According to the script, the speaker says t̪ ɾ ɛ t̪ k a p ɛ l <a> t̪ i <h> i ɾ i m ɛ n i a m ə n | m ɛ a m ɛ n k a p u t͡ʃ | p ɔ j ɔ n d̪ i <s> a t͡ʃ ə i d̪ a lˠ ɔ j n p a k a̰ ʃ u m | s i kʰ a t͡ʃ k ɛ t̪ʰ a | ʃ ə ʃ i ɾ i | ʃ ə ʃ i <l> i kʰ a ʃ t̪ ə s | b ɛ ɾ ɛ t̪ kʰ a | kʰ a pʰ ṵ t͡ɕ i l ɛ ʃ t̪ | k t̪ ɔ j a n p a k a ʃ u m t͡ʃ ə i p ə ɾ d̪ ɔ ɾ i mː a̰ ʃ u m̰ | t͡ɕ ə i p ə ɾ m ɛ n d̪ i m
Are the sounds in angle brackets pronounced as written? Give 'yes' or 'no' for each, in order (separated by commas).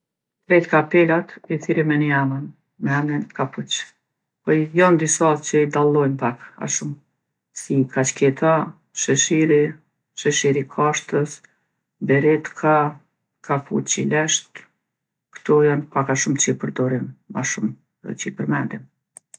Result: yes, no, yes, no